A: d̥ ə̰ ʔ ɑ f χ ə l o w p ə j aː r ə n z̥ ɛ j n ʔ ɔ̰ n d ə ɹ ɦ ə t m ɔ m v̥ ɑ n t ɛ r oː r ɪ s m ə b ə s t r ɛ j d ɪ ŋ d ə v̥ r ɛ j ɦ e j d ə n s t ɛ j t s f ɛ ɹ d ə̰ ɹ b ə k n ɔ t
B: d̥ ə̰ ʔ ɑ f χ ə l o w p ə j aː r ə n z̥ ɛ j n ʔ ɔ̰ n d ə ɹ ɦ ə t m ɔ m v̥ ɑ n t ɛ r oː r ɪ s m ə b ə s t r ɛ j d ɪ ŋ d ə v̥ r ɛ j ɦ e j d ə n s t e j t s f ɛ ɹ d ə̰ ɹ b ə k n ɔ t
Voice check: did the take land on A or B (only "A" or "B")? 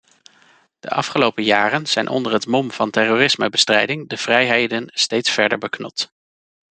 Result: B